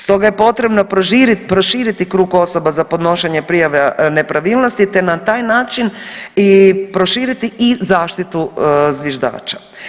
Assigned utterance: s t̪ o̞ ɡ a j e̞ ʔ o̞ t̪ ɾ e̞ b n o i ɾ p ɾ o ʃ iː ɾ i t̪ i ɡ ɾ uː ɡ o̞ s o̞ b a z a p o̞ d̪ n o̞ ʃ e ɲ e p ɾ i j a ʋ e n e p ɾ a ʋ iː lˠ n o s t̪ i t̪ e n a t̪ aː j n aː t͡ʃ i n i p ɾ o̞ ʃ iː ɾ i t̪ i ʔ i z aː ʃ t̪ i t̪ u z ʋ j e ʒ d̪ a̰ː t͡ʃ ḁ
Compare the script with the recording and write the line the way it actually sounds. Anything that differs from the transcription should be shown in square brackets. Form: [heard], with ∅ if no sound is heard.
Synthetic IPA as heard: s t̪ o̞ ɡ a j e̞ [p] o̞ t̪ ɾ e̞ b n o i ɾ p ɾ o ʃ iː ɾ i t̪ i [k] ɾ uː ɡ o̞ s o̞ b a z a p o̞ d̪ n o̞ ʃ e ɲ e p ɾ i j a ʋ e n e p ɾ a ʋ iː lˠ n o s t̪ i t̪ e n a t̪ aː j n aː t͡ʃ i n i p ɾ o̞ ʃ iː ɾ i t̪ i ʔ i z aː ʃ t̪ i t̪ u z ʋ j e ʒ d̪ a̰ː t͡ʃ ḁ

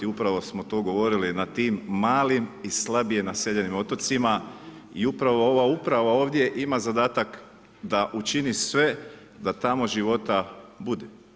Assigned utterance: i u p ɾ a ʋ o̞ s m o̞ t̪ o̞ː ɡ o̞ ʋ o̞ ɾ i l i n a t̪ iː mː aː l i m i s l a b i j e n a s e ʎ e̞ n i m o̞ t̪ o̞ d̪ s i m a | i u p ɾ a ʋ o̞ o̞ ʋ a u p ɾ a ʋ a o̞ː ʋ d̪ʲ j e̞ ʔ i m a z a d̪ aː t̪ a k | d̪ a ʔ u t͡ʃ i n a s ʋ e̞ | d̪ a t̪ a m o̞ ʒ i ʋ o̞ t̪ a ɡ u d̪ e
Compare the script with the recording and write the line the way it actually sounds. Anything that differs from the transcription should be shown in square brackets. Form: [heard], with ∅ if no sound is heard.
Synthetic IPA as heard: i u p ɾ a ʋ o̞ s m o̞ t̪ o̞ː ɡ o̞ ʋ o̞ ɾ i l i n a t̪ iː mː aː l i m i s l a b i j e n a s e ʎ e̞ n i m o̞ t̪ o̞ [t̪] s i m a | i u p ɾ a ʋ o̞ o̞ ʋ a u p ɾ a ʋ a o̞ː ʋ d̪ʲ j e̞ ʔ i m a z a d̪ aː t̪ a k | d̪ a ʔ u t͡ʃ i n [i] s ʋ e̞ | d̪ a t̪ a m o̞ ʒ i ʋ o̞ t̪ a [b] u d̪ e

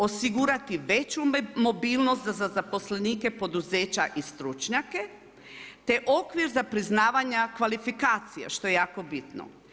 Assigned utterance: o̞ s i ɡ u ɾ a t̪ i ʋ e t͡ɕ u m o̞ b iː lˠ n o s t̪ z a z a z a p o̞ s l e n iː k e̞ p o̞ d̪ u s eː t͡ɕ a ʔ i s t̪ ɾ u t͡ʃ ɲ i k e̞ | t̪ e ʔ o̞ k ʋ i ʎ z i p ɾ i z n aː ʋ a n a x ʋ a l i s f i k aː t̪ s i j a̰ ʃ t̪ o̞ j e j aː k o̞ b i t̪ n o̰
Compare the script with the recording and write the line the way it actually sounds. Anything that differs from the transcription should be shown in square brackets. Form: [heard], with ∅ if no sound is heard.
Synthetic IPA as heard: o̞ s i ɡ u ɾ a t̪ i ʋ e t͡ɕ u m o̞ b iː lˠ n o s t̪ z a z a z a p o̞ s l e n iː k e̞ p o̞ d̪ u [z] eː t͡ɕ a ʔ i s t̪ ɾ u t͡ʃ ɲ [a] k e̞ | t̪ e ʔ o̞ k ʋ i [ɾ] z [a] p ɾ i z n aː ʋ a [ɲ] a [k] ʋ a l i [∅] f i k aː t̪ s i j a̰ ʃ t̪ o̞ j e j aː k o̞ b i t̪ n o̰

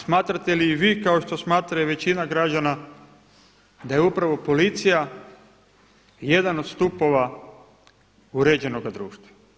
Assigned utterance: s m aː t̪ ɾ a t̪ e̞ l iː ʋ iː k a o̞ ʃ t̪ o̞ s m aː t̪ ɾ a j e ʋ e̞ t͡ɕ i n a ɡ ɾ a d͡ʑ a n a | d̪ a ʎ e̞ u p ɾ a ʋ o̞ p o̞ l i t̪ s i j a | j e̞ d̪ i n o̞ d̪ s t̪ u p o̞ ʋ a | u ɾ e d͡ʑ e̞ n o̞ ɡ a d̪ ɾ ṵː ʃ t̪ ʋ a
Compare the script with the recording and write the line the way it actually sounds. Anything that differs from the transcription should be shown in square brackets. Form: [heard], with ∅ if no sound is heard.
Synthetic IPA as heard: s m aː t̪ ɾ a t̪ e̞ l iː ʋ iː k a o̞ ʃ t̪ o̞ s m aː t̪ ɾ a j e ʋ e̞ t͡ɕ i n a ɡ ɾ a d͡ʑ a n a | d̪ a [j] e̞ u p ɾ a ʋ o̞ p o̞ l i t̪ s i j a | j e̞ d̪ [a] n o̞ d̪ s t̪ u p o̞ ʋ a | u ɾ e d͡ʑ e̞ n o̞ ɡ a d̪ ɾ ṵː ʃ t̪ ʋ a

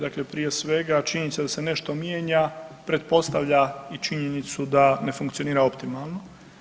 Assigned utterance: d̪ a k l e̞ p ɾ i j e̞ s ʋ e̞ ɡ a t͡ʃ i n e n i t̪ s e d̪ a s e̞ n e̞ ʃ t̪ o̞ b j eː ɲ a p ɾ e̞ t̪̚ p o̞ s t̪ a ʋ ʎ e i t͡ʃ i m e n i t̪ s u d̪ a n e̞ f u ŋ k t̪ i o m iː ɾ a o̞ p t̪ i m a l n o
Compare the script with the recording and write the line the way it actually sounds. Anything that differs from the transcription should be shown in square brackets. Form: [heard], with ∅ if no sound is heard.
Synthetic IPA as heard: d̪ a k l e̞ p ɾ i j e̞ s ʋ e̞ ɡ a t͡ʃ i [ɲ] e n i t̪ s e d̪ a s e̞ n e̞ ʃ t̪ o̞ [m] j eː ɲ a p ɾ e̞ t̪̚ p o̞ s t̪ a ʋ ʎ [a] i t͡ʃ i [ɲ] e n i t̪ s u d̪ a n e̞ f u ŋ k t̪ i o [n] iː ɾ a o̞ p t̪ i m a l n o

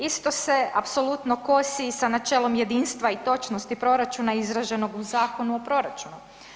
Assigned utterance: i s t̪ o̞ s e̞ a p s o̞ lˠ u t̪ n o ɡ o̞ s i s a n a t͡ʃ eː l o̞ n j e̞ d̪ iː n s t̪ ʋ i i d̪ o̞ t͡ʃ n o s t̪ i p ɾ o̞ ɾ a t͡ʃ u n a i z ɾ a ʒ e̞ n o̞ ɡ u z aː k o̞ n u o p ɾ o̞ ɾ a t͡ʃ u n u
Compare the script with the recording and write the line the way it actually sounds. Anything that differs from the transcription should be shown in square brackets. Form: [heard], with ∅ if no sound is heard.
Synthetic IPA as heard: i s t̪ o̞ s e̞ a p s o̞ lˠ u t̪ n o [k] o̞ s i s a n a t͡ʃ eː l o̞ [m] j e̞ d̪ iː n s t̪ ʋ [a] i [t̪] o̞ t͡ʃ n o s t̪ i p ɾ o̞ ɾ a t͡ʃ u n a i z ɾ a ʒ e̞ n o̞ ɡ u z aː k o̞ n u o p ɾ o̞ ɾ a t͡ʃ u n u

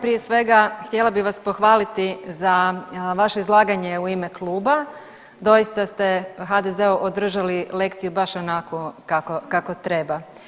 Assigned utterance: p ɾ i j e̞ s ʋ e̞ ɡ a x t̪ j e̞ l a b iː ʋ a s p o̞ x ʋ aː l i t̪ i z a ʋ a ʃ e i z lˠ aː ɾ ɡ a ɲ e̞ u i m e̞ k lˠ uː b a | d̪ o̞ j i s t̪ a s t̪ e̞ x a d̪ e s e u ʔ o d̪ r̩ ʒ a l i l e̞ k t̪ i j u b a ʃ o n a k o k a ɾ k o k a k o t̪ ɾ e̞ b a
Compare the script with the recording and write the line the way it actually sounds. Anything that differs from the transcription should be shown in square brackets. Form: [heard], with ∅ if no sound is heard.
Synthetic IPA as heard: p ɾ i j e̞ s ʋ e̞ ɡ a x t̪ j e̞ l a b [i] ʋ a s p o̞ x ʋ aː l i t̪ i z a ʋ a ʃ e i z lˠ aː [∅] ɡ a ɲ e̞ u i m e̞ k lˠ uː b a | d̪ o̞ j i s t̪ a s t̪ e̞ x a d̪ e [z] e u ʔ o d̪ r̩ ʒ a l i l e̞ k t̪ i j u b a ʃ o n a k o k a [∅] k o k a k o t̪ ɾ e̞ b a

